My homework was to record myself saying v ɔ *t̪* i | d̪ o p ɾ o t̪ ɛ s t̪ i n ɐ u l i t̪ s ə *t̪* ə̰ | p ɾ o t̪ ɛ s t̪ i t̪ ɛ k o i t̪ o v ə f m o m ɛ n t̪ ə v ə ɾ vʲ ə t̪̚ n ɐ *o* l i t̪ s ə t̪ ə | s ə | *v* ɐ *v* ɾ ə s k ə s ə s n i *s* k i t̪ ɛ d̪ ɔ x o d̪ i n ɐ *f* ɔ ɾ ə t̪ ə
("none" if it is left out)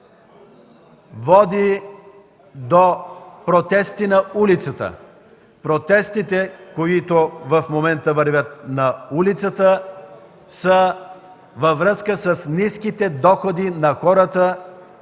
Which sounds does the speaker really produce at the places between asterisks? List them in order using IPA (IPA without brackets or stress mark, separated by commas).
d̪, t̪, u, v, v, s, x